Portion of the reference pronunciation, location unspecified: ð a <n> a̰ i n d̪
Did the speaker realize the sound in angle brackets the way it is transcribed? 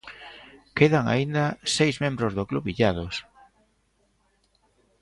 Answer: no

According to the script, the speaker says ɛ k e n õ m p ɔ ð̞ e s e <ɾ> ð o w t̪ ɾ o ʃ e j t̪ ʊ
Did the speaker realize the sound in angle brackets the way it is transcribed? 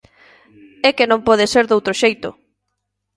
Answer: yes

